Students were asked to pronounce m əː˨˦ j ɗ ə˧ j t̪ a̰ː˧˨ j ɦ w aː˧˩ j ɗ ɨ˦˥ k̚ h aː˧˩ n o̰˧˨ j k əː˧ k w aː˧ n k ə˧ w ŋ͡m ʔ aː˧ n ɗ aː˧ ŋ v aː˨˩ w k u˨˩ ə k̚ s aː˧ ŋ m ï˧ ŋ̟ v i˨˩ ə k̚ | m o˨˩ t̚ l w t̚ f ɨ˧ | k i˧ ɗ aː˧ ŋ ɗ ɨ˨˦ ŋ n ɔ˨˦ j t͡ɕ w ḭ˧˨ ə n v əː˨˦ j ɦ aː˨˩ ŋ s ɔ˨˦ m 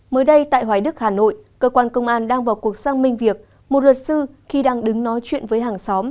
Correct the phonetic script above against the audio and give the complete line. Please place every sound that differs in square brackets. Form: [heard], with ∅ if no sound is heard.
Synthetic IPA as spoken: m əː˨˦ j ɗ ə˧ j t̪ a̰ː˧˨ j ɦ w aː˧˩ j ɗ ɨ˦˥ k̚ h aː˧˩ n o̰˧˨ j k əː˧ k w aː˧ n k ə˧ w ŋ͡m ʔ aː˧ n ɗ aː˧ ŋ v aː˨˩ w k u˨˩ ə k̚ s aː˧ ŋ m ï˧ ŋ̟ v i˨˩ ə k̚ | m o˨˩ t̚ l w t̚ [s] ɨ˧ | [x] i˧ ɗ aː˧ ŋ ɗ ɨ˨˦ ŋ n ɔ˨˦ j t͡ɕ w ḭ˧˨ ə n v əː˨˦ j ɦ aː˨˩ ŋ s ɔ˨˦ m